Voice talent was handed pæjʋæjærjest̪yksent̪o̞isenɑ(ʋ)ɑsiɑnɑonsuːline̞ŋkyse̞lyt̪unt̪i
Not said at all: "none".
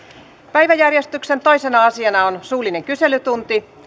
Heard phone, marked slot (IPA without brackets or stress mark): none